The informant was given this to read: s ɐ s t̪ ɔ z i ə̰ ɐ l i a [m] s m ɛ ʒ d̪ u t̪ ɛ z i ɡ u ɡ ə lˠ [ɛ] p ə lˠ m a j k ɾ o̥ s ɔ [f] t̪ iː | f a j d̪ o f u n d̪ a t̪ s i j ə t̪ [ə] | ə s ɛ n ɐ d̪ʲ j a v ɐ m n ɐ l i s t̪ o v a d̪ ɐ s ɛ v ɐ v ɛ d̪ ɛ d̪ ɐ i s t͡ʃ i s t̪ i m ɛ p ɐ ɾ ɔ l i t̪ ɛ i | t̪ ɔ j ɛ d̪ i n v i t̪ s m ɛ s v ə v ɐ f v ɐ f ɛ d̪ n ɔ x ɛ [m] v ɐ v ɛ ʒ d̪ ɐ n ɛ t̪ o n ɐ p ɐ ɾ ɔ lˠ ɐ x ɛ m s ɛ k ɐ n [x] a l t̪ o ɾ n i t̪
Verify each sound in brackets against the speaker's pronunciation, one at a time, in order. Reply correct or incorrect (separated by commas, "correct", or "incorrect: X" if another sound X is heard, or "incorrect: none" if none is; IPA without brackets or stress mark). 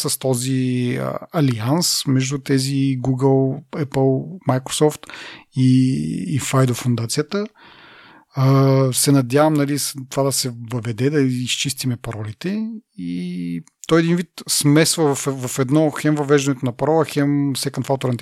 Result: incorrect: n, correct, correct, correct, correct, incorrect: f